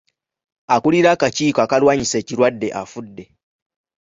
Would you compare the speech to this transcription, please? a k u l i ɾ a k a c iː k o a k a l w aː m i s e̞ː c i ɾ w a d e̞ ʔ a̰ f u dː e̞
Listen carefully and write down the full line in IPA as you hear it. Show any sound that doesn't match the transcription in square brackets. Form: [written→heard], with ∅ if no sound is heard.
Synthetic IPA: a k u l i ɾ a k a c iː k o a k a l w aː [m→ɲ] i s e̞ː c i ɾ w a [d→dː] e̞ ʔ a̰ f u dː e̞